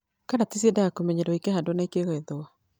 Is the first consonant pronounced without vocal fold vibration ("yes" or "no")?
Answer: yes